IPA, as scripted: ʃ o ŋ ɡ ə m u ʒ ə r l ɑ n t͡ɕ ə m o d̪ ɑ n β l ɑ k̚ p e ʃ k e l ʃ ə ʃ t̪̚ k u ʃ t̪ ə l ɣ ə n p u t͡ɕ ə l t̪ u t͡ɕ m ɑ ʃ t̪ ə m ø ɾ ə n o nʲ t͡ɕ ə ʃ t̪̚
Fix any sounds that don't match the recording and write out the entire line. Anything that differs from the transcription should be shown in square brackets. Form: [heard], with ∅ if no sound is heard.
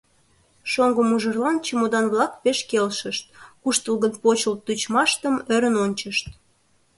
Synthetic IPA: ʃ o ŋ ɡ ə m u ʒ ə r l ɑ n t͡ɕ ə m o d̪ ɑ n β l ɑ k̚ p e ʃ k e l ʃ ə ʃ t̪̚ k u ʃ t̪ ə l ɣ ə n p [o] t͡ɕ ə l t̪ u t͡ɕ m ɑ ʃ t̪ ə m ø ɾ ə n o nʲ t͡ɕ ə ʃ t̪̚